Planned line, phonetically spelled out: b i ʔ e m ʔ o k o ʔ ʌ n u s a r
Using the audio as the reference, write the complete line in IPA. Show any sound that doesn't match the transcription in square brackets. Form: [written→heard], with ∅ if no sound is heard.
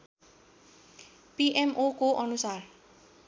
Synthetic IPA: [b→p] i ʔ e m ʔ o k o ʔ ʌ n u s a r